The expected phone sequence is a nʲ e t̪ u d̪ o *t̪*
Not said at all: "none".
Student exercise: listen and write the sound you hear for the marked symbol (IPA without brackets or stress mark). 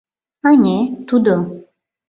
none